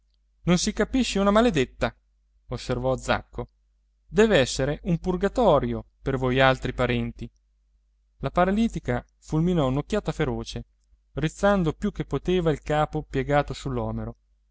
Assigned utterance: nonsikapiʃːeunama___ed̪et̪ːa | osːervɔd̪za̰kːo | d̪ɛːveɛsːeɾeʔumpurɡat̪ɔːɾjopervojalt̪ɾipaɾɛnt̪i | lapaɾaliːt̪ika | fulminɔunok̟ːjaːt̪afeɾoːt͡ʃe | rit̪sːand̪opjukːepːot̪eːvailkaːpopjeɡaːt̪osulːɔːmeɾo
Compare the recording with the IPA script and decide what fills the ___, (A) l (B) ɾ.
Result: A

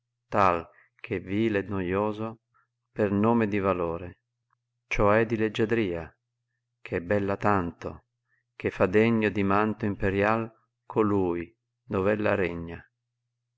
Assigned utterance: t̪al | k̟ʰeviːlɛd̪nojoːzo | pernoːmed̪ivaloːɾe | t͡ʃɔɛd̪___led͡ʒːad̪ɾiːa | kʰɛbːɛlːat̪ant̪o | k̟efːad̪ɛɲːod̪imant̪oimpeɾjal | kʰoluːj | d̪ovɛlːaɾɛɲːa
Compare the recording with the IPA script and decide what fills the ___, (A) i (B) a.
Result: A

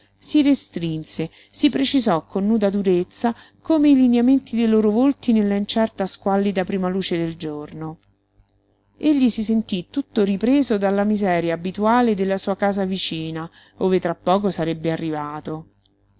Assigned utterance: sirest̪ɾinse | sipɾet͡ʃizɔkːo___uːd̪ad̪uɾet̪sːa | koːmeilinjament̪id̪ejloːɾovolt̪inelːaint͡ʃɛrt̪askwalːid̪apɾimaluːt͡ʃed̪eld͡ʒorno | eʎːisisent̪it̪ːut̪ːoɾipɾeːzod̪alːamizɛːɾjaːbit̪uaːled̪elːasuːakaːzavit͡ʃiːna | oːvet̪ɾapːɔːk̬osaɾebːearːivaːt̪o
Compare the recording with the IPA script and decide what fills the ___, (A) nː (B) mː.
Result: A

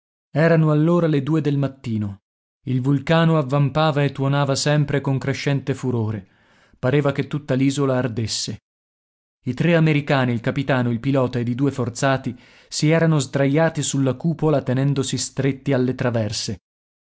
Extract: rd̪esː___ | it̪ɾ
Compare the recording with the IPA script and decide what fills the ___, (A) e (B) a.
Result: A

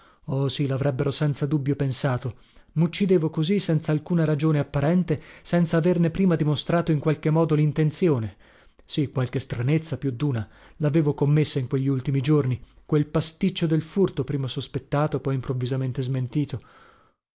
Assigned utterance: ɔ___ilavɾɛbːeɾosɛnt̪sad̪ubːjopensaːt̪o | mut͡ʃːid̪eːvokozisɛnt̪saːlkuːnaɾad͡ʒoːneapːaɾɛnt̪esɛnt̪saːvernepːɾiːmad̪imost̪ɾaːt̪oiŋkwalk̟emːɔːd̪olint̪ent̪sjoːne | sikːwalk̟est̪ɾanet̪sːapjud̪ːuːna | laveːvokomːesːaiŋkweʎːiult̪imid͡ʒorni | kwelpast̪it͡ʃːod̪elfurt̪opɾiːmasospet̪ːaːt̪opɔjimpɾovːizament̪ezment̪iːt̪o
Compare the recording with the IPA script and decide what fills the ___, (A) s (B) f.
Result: A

